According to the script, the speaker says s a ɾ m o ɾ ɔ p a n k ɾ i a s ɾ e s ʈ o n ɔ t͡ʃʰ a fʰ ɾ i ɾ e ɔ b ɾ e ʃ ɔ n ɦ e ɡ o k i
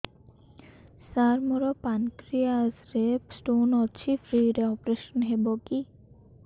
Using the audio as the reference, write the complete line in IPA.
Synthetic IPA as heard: s a ɾ m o ɾ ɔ p a n k ɾ i a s ɾ e s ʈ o n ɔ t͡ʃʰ i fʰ ɾ i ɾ e ɔ p ɾ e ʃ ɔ n ɦ e b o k i